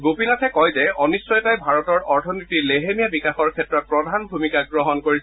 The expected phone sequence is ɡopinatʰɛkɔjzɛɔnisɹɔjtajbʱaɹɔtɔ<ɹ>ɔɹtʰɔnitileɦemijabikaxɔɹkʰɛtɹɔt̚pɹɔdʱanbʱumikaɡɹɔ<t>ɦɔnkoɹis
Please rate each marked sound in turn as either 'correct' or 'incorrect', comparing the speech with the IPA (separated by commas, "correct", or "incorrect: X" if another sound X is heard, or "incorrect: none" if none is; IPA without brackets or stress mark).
correct, incorrect: none